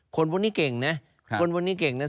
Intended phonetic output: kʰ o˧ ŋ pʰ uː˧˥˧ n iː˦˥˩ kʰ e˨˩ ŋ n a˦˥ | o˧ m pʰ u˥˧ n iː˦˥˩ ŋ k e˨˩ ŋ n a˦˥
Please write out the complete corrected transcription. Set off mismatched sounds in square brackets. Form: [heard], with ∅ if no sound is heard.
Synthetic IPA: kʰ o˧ [n] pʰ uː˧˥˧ n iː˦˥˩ [k] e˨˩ ŋ n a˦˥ | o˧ [n] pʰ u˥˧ n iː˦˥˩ [∅] k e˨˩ ŋ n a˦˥